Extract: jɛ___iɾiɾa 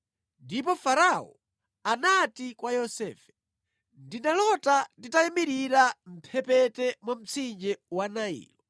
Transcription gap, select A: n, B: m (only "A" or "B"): B